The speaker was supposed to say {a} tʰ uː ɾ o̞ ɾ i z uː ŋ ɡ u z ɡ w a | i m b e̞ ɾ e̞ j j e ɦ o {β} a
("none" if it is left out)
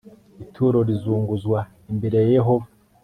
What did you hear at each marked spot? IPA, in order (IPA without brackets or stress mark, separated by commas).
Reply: i, v